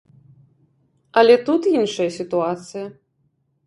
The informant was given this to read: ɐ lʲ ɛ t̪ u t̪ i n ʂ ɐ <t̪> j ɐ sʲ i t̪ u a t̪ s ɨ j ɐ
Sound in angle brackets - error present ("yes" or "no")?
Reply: yes